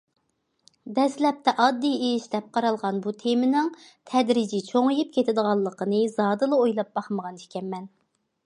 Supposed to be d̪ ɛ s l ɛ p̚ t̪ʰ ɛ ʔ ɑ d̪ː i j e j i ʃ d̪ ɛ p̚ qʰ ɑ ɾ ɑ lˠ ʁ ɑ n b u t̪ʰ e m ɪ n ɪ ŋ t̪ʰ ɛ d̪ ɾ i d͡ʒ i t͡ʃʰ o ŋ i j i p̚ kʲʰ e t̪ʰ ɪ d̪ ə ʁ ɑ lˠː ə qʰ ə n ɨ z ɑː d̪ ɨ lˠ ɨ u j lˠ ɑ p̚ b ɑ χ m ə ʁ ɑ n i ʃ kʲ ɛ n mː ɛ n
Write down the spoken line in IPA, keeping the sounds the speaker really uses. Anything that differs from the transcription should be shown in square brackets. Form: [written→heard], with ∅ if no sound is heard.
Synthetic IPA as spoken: d̪ ɛ s l ɛ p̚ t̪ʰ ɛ ʔ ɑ d̪ː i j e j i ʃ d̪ ɛ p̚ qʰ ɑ ɾ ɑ lˠ ʁ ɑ n b u t̪ʰ e m ɪ n ɪ ŋ t̪ʰ ɛ d̪ ɾ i d͡ʒ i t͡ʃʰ o ŋ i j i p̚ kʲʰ e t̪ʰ ɪ d̪ ə ʁ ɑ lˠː ə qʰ ə n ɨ z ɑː d̪ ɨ lˠ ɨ [u→o] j lˠ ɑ p̚ b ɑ χ m ə ʁ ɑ n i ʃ kʲ ɛ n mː ɛ n